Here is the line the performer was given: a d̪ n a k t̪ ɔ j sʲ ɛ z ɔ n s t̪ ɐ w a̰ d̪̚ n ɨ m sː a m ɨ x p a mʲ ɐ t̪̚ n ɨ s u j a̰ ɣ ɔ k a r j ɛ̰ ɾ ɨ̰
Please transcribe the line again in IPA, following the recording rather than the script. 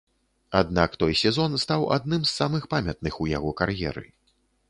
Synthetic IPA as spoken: a d̪ n a k t̪ ɔ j sʲ ɛ z ɔ n s t̪ a w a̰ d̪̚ n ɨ m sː a m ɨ x p a mʲ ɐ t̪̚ n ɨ x u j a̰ ɣ ɔ k a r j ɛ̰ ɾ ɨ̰